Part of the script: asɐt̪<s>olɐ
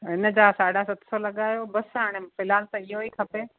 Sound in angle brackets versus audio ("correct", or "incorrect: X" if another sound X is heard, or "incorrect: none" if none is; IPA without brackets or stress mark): correct